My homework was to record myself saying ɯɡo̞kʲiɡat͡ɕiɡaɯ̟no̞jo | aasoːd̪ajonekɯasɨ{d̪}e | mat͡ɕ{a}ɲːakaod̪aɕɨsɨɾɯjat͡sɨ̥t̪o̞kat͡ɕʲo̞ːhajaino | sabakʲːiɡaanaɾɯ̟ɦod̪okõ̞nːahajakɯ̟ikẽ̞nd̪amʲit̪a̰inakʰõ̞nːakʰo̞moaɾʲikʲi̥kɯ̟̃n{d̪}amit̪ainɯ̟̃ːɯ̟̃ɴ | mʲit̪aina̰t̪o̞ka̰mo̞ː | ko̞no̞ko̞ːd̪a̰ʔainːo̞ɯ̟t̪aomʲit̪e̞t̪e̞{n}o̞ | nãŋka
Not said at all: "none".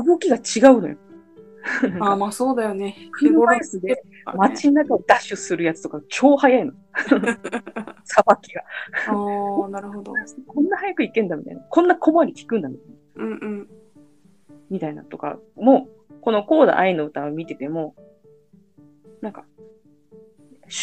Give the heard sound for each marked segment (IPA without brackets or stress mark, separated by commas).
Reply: d̪, i, d̪, m